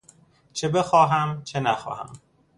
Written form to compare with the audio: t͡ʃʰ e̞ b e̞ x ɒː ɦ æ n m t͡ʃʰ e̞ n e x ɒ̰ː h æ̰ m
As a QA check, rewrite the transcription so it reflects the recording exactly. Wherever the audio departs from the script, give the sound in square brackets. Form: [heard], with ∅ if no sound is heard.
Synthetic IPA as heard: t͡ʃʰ e̞ b e̞ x ɒː ɦ æ [∅] m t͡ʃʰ e̞ n [æ] x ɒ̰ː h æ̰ m